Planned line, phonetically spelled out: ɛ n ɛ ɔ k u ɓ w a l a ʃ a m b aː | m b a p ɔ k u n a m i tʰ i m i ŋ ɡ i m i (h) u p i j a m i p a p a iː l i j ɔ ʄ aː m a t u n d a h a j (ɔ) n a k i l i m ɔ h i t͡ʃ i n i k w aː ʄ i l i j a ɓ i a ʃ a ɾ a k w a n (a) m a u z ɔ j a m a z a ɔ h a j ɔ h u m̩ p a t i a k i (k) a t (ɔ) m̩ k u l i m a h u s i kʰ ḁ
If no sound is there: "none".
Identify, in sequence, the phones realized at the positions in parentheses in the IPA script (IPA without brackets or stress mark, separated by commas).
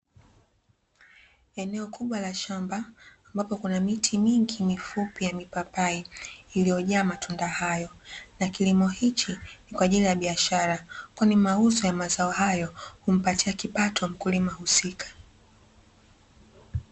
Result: f, ɔ, i, p, ɔ